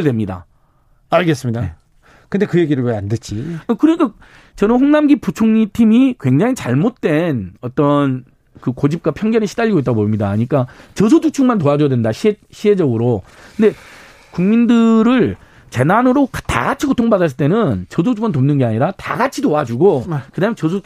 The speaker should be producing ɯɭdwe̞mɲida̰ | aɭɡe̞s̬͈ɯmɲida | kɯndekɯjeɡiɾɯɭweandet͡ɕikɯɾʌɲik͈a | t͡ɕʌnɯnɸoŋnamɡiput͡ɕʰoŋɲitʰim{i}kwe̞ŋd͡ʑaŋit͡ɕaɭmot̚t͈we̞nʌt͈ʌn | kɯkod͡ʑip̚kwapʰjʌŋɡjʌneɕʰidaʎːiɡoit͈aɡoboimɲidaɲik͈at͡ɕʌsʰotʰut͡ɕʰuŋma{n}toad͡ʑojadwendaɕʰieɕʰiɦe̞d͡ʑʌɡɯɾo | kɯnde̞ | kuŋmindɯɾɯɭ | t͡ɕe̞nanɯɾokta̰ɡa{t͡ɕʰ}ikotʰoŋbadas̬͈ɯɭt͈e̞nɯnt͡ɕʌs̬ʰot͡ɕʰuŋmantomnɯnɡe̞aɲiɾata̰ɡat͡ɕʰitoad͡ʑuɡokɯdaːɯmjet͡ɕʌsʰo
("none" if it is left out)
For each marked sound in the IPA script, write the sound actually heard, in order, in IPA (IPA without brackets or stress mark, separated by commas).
i, n, t͡ɕʰ